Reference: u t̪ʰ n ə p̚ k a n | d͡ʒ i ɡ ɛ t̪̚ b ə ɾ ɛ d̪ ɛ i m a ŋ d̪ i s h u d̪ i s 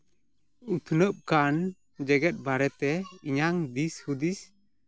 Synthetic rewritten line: u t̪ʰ n ə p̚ k a n | d͡ʒ ɛ ɡ ɛ t̪̚ b a ɾ ɛ t̪ ɛ i ɲ a ŋ d̪ i s h u d̪ i s